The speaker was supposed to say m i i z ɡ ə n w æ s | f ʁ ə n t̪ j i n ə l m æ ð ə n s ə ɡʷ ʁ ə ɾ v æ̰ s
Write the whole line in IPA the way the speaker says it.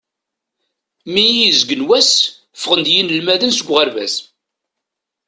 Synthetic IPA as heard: m i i z ɡ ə n w æ s | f ʁ ə n d̪ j i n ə l m æ ð ə n s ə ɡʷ ʁ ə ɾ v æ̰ s